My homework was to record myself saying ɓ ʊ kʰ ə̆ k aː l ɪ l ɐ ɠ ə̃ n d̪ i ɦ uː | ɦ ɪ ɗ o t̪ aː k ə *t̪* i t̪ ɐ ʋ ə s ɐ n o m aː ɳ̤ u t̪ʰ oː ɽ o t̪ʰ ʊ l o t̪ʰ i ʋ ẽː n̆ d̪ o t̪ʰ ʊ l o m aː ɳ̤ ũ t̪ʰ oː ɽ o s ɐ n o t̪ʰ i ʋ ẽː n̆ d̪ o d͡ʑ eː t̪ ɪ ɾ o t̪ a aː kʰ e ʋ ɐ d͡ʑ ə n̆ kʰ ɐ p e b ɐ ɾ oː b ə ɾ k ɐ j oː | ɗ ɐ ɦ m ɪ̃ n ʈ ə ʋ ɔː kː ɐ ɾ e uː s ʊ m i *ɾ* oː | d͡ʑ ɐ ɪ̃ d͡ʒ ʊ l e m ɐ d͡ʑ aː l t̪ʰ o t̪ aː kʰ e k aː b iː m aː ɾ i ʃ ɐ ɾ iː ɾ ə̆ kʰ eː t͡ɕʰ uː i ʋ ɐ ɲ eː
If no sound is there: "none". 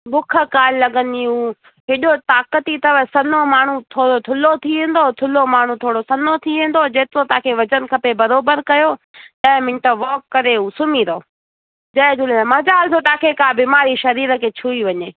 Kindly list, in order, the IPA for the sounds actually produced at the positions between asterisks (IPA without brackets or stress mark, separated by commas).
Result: t̪, ɾ